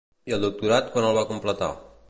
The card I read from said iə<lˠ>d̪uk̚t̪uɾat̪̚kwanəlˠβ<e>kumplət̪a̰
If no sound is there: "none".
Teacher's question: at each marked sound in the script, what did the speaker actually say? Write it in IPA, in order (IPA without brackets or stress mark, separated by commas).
lˠ, a